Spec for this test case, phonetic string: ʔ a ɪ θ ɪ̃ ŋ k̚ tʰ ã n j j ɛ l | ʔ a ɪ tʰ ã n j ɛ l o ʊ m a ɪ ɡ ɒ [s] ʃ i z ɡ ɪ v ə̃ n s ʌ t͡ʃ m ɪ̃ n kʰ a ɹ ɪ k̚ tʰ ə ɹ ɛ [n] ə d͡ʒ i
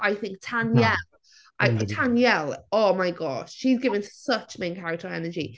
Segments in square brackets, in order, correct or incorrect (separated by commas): incorrect, correct